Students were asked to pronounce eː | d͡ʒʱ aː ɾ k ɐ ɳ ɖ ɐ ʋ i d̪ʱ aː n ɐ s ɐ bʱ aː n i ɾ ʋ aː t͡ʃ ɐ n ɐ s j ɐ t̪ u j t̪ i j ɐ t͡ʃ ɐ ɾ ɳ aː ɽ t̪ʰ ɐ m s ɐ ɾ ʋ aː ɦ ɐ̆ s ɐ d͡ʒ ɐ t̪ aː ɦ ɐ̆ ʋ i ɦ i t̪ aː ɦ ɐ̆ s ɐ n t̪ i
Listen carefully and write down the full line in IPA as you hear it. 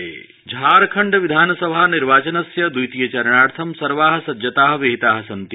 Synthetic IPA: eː | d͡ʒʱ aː ɾ kʰ ɐ ɳ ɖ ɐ ʋ i d̪ʱ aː n ɐ s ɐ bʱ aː n i ɾ ʋ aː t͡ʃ ɐ n ɐ s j ɐ d̪ u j t̪ i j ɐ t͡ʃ ɐ ɾ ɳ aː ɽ t̪ʰ ɐ m s ɐ ɾ ʋ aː ɦ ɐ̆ s ɐ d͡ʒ ɐ t̪ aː ɦ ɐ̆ ʋ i ɦ i t̪ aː ɦ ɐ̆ s ɐ n t̪ i